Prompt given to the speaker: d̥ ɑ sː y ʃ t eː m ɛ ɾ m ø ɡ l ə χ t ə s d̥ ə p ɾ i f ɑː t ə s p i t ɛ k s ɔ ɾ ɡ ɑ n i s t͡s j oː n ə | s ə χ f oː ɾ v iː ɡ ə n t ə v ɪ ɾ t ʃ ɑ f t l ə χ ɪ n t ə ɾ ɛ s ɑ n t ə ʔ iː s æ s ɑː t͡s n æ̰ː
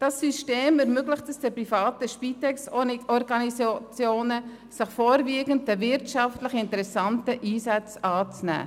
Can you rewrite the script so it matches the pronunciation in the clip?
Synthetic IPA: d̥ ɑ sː y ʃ t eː m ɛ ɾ m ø ɡ l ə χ t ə s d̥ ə p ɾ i f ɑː t ə ʃ p i t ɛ k s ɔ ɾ ɡ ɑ n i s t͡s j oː n ə | s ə χ f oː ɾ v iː ɡ ə n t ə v ɪ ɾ t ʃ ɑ f t l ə χ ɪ n t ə ɾ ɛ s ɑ n t ə ʔ iː s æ t͡s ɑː t͡s n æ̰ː